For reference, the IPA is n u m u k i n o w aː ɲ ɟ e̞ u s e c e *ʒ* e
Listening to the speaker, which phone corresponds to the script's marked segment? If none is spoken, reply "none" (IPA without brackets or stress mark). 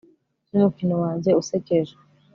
ʒ